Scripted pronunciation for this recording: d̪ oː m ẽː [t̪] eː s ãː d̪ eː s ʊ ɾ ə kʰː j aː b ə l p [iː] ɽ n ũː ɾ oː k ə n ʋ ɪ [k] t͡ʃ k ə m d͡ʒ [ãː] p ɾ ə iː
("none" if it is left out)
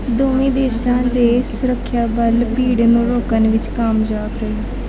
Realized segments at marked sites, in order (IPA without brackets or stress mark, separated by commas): d̪, iː, none, aː